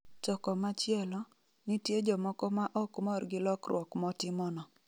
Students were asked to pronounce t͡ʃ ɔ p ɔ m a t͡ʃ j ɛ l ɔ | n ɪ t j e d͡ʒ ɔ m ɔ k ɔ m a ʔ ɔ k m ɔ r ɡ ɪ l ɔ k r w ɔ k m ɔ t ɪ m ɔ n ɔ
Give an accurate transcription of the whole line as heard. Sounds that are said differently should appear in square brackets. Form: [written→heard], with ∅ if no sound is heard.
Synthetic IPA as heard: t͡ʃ ɔ [p→k] ɔ m a t͡ʃ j ɛ l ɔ | n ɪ t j e d͡ʒ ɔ m ɔ k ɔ m a ʔ ɔ k m ɔ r ɡ ɪ l ɔ k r w ɔ k m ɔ t ɪ m ɔ n ɔ